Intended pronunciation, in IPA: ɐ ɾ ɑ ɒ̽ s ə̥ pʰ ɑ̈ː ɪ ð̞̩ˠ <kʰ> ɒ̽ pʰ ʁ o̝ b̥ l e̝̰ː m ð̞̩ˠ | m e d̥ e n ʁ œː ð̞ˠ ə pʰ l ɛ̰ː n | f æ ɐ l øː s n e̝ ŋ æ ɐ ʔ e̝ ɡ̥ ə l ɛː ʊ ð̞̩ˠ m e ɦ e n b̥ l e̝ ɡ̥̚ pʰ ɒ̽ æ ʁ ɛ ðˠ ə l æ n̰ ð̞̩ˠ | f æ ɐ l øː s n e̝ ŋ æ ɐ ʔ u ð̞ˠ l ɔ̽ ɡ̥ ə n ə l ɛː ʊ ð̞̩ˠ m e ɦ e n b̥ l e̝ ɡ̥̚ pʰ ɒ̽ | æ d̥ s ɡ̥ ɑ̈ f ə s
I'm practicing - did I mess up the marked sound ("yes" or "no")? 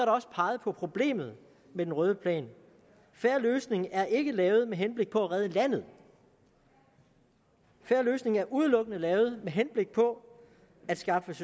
yes